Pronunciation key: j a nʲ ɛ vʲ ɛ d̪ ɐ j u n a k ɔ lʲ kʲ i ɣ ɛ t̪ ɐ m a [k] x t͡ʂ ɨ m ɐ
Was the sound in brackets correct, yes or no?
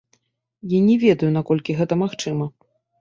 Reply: no